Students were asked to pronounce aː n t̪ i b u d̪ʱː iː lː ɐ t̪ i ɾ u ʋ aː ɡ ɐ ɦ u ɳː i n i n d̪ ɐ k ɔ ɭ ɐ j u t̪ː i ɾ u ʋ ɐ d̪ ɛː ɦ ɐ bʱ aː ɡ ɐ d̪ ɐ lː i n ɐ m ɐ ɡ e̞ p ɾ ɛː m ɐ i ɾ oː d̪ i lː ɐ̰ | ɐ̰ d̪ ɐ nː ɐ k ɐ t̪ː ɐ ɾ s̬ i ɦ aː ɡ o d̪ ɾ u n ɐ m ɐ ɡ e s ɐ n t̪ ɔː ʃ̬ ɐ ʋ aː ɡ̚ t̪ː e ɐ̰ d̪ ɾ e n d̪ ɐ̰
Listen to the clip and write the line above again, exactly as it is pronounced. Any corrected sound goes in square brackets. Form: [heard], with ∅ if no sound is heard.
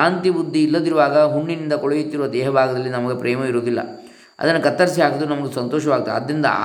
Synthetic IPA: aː n t̪ i b u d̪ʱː iː lː ɐ [d̪] i ɾ u ʋ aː ɡ ɐ ɦ u ɳː i n i n d̪ ɐ k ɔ ɭ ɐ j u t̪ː i ɾ u ʋ ɐ d̪ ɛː ɦ ɐ bʱ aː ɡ ɐ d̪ ɐ lː i n ɐ m ɐ ɡ e̞ p ɾ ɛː m ɐ i ɾ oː d̪ i lː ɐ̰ | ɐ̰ d̪ ɐ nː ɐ k ɐ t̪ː ɐ ɾ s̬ i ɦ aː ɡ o d̪ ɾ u n ɐ m ɐ ɡ e s ɐ n t̪ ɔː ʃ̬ ɐ ʋ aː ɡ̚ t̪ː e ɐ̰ d̪ ɾ [i] n d̪ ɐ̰